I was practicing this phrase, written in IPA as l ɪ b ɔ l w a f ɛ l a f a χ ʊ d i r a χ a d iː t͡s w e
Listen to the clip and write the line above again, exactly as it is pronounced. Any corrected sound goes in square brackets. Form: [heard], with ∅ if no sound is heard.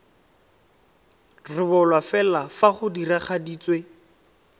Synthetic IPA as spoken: [r] ɪ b ɔ l w a f ɛ l a f a χ ʊ d i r a χ a d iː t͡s w e